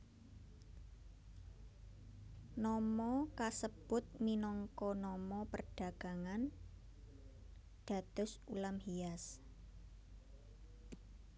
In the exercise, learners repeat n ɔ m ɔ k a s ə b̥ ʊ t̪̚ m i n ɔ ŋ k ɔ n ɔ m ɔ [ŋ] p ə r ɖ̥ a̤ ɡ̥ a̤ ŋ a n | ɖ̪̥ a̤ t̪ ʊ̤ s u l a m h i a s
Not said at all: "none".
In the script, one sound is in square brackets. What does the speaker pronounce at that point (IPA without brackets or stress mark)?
none